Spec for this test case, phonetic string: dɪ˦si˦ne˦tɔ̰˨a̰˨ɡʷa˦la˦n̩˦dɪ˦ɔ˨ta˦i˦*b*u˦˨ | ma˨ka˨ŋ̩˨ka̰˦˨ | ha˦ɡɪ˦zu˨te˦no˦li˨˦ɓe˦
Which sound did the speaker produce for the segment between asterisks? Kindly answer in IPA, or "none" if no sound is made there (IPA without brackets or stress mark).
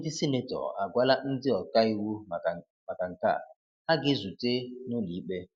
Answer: w